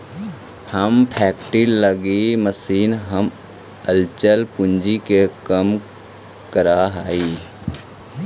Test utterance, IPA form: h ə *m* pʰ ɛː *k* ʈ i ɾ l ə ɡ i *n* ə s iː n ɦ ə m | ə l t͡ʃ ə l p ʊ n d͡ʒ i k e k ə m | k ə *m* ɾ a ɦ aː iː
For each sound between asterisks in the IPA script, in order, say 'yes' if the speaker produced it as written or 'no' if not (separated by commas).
yes, yes, no, no